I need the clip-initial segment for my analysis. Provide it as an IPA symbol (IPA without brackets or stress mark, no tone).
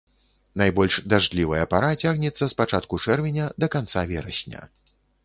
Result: n